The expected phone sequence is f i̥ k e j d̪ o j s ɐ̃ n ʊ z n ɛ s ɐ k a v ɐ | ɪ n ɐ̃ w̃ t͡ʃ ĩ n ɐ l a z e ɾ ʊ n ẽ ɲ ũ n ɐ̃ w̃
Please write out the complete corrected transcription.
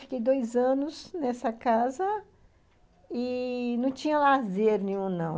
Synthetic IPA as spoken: f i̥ k e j d̪ o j z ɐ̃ n ʊ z n ɛ s ɐ k a z ɐ | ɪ n ɐ̃ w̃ t͡ʃ ĩ ɲ ɐ l a z e ɾ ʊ n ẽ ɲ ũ n ɐ̃ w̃